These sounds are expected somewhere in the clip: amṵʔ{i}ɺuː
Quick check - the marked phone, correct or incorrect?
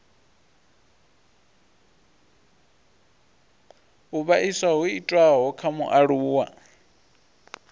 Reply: incorrect